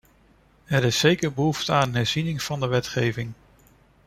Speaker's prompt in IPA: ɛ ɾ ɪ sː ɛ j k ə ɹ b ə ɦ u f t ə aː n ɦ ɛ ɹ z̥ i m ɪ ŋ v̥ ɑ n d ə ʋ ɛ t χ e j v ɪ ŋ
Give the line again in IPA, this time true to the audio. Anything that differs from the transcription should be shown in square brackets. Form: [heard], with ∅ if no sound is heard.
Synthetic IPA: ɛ ɾ ɪ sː [e] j k ə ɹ b ə ɦ u f t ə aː n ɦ ɛ ɹ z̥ i [n] ɪ ŋ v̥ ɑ n d ə ʋ ɛ t χ e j v ɪ ŋ